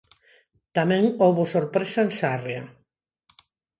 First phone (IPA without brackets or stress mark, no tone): t̪